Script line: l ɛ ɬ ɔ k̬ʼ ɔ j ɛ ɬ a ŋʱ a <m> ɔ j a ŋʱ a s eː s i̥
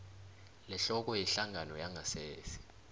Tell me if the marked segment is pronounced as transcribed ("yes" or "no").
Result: no